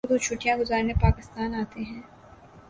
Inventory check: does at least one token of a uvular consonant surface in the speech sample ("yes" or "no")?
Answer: no